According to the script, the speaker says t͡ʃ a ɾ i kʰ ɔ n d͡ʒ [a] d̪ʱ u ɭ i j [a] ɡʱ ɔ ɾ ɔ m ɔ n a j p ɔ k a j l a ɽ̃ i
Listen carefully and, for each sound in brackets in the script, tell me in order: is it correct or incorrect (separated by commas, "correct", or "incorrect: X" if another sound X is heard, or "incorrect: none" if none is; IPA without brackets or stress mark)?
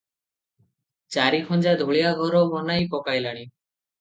correct, correct